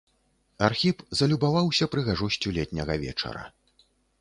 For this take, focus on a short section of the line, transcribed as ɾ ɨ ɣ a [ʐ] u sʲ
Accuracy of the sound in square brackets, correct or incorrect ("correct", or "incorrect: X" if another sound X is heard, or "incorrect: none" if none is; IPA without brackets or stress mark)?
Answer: correct